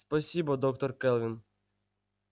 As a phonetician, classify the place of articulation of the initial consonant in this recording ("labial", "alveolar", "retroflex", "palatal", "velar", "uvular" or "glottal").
alveolar